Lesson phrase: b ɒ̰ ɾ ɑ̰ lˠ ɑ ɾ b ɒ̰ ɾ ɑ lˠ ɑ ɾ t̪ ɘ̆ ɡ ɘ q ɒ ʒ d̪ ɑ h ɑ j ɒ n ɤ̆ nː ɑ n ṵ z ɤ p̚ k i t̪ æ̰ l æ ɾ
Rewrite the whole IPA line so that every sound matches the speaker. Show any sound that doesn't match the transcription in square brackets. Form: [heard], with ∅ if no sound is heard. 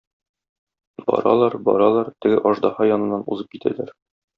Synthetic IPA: b ɒ̰ ɾ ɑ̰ lˠ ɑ ɾ b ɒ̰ ɾ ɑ lˠ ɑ ɾ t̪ ɘ̆ ɡ ɘ [ʔ] ɒ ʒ d̪ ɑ h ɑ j ɒ n ɤ̆ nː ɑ n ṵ z ɤ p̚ k i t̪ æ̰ l æ ɾ